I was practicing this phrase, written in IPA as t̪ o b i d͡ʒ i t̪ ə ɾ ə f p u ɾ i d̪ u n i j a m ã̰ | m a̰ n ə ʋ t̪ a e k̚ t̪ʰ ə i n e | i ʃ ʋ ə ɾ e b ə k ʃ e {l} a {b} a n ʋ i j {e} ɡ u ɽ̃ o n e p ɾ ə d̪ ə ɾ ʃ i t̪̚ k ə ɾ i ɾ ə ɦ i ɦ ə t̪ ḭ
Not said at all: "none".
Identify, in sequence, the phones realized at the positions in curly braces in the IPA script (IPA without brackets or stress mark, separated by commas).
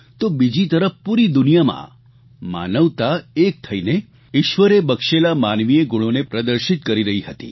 l, m, e